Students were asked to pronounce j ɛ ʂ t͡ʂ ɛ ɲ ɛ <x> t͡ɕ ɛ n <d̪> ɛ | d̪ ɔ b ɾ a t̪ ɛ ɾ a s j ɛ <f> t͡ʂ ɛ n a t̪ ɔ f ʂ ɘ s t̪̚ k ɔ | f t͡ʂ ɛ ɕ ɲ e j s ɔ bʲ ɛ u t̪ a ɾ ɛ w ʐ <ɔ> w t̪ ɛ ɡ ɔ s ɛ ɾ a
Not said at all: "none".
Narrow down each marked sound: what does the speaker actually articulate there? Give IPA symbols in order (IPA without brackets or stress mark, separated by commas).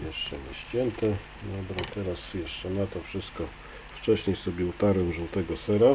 ɕ, t̪, ʂ, u